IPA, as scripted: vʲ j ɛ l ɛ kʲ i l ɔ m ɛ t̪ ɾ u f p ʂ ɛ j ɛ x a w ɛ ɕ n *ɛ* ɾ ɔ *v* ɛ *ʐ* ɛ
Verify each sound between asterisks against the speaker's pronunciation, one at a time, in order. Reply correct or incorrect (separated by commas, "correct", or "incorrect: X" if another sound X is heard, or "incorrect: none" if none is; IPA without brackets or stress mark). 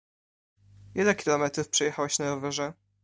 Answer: incorrect: a, correct, correct